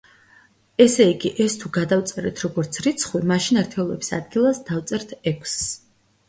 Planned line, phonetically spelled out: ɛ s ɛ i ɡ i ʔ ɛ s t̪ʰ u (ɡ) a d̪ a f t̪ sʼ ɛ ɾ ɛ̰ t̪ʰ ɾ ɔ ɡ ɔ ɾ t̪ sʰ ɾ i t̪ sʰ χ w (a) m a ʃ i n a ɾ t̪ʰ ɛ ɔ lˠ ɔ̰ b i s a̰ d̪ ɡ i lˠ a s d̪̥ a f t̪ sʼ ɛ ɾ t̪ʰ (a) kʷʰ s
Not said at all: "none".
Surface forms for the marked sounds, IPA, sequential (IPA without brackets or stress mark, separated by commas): ɡ, i, ɛ